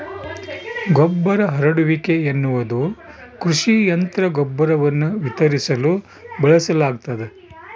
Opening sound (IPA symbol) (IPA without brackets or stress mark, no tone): ɡ